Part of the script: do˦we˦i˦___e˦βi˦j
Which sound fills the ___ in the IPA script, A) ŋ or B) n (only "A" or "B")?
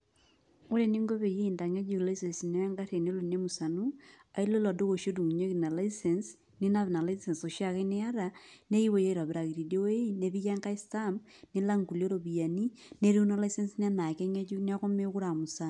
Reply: B